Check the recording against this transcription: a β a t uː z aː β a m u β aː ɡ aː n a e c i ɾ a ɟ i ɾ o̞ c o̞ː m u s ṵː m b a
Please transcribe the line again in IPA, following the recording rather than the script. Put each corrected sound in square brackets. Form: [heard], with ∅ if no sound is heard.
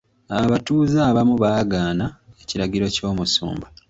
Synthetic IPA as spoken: a β a t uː z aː β a m u β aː ɡ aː n a e c i ɾ a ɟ i ɾ o̞ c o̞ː m u s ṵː m b a